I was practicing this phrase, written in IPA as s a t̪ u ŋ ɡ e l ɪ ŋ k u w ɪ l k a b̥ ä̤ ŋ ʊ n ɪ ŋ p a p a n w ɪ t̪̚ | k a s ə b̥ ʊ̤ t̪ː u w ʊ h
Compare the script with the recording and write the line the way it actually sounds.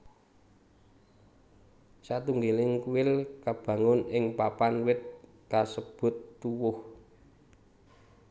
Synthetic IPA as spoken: s a t̪ u ŋ ɡ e l ɪ ŋ k u w ɪ l k a b̥ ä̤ ŋ ʊ n ɪ ŋ p a p a n w ɪ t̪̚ | k a s ə b̥ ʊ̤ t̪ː u w ʊ h